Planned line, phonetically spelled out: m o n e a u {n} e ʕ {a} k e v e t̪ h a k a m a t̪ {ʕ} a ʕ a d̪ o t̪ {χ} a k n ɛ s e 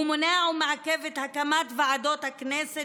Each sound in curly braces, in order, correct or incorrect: incorrect: m, correct, incorrect: v, incorrect: h

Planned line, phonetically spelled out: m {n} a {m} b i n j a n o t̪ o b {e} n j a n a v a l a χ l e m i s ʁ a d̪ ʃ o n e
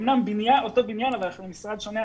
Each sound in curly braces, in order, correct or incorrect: correct, correct, incorrect: i

